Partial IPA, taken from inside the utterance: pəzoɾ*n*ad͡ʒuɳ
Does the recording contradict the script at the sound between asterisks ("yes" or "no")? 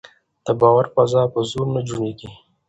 no